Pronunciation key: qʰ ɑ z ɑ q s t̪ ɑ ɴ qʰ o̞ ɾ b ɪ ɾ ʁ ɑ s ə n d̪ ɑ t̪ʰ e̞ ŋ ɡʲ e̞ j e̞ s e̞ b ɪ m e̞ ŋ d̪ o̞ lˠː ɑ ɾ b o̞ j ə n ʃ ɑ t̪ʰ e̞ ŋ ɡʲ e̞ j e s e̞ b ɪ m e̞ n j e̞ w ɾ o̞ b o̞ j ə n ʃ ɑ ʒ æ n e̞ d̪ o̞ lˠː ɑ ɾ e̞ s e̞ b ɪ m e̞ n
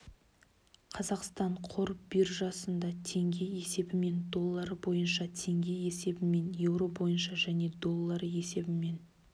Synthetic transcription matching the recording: qʰ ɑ z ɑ q s t̪ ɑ ɴ qʰ o̞ ɾ b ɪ ɾ ʒ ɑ s ə n d̪ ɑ t̪ʰ e̞ ŋ ɡʲ e̞ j e̞ s e̞ b ɪ m e̞ n d̪ o̞ lˠː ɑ ɾ b o̞ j ə n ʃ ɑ t̪ʰ e̞ ŋ ɡʲ e̞ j e s e̞ b ɪ m e̞ n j e̞ w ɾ o̞ b o̞ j ə n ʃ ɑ ʒ æ n e̞ d̪ o̞ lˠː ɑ ɾ e̞ s e̞ b ɪ m e̞ n